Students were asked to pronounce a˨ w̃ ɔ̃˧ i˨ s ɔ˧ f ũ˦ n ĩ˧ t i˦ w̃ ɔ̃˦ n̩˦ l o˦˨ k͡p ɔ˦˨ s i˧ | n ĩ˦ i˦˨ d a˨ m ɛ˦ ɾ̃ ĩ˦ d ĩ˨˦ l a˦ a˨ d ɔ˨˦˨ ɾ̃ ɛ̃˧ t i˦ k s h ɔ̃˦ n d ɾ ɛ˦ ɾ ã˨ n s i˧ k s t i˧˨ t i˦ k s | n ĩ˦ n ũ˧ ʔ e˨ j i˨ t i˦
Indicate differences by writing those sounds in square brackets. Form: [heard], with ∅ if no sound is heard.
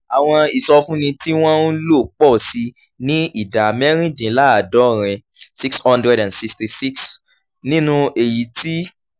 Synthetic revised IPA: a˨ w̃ ɔ̃˧ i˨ s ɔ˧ f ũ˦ n ĩ˧ t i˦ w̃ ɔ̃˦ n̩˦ l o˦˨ k͡p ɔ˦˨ s i˧ | n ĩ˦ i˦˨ d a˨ m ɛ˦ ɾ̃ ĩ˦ d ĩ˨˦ l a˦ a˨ d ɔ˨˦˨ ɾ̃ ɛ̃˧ [s] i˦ k s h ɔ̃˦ n d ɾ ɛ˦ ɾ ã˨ n s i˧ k s t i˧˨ [s] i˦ k s | n ĩ˦ n ũ˧ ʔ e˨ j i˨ t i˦